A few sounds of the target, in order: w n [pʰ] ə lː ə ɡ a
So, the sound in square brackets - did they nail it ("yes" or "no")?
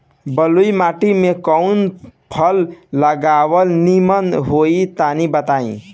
yes